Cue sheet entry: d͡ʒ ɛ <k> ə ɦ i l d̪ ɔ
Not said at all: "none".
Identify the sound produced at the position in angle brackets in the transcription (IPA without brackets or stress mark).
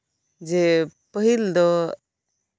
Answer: p